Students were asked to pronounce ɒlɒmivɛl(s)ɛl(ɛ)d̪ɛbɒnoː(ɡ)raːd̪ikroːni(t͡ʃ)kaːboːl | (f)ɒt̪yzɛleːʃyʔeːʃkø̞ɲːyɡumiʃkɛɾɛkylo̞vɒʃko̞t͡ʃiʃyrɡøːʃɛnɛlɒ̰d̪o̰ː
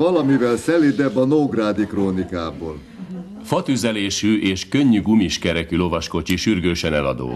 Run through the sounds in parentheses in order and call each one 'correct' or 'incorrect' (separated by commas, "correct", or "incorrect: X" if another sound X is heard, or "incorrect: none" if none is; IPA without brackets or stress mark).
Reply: correct, incorrect: i, correct, incorrect: none, correct